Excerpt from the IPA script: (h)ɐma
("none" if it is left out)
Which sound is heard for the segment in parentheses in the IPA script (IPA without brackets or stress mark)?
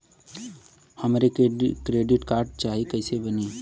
h